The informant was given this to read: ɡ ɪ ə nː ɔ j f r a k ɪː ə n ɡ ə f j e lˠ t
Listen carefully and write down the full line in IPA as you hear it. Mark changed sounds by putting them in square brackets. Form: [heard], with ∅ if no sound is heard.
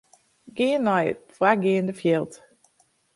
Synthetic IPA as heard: ɡ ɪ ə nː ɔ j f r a [ɡ] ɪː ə n [d] ə f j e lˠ t